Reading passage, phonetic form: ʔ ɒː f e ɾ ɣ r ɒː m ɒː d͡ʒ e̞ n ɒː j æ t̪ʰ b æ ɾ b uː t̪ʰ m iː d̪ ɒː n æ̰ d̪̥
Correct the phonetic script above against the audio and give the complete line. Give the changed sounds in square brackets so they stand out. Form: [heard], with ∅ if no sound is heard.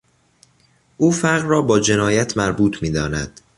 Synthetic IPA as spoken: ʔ [uː] f [æ] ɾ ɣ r ɒː [b] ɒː d͡ʒ e̞ n ɒː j æ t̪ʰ [m] æ ɾ b uː t̪ʰ m iː d̪ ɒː n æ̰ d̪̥